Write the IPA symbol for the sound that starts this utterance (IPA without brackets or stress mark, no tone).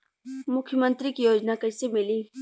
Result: m